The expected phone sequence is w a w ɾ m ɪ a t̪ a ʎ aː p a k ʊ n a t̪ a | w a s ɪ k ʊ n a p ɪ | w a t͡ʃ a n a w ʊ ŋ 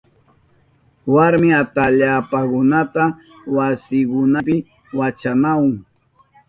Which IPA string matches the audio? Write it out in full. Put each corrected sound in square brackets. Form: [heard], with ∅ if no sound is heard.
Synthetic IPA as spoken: w a [∅] ɾ m ɪ a t̪ a ʎ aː p a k ʊ n a t̪ a | w a s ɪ k ʊ n a p ɪ | w a t͡ʃ a n a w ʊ ŋ